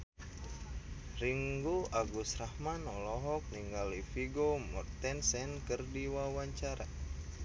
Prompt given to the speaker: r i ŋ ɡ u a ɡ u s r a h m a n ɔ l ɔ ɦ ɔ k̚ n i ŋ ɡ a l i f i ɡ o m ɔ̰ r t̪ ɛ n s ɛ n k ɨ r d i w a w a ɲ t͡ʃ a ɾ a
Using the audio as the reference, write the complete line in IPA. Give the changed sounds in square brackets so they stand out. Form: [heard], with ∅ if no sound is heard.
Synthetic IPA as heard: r i ŋ ɡ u a ɡ u s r a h m a n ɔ l ɔ ɦ ɔ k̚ n i ŋ ɡ a l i f i ɡ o m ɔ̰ r t̪ ɛ n s ɛ n k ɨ r d i w a w a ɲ t͡ʃ a ɾ a